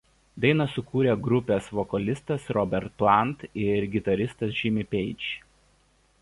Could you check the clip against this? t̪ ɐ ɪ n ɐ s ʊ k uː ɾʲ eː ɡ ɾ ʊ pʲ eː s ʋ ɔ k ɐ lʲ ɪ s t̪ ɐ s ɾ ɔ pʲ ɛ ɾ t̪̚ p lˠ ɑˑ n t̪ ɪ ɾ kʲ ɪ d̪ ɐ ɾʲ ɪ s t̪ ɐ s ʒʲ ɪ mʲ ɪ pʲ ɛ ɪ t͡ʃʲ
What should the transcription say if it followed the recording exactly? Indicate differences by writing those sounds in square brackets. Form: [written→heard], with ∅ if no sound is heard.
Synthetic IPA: [t̪→d̪] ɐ ɪ n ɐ s ʊ k uː ɾʲ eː ɡ ɾ ʊ pʲ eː s ʋ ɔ k ɐ lʲ ɪ s t̪ ɐ s ɾ ɔ [pʲ→bʲ] ɛ ɾ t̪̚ p lˠ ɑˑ n t̪ ɪ ɾ [kʲ→ɡʲ] ɪ [d̪→t̪] ɐ ɾʲ ɪ s t̪ ɐ s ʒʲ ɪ mʲ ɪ pʲ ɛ ɪ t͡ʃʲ